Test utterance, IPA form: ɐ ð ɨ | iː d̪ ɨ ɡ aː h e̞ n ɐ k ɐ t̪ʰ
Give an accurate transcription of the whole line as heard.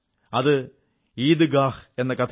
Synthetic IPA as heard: ɐ ð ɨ | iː d̪ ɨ ɡ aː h e̞ nː ɐ k ɐ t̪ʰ